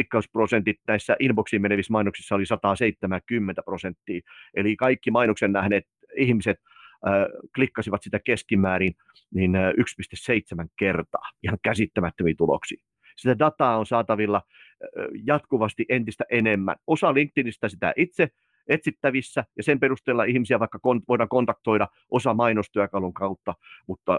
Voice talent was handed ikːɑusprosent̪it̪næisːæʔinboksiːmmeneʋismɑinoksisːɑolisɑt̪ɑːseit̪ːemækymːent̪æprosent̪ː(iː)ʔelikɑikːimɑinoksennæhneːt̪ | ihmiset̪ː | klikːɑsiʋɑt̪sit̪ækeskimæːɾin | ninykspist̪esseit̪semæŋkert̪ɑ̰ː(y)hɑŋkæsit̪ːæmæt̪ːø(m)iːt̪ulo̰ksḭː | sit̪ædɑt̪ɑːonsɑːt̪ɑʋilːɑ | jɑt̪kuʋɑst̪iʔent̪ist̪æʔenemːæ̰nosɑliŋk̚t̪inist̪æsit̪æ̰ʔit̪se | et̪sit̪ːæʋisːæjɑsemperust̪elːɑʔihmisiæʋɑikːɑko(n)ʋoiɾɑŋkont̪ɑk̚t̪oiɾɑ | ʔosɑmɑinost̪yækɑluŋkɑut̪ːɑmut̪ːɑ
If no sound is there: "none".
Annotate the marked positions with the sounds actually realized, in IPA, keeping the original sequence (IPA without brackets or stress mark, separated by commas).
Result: iː, i, m, n